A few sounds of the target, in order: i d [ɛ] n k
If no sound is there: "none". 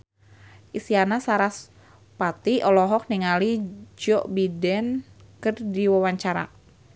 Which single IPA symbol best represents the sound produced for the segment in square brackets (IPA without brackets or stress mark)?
ɛ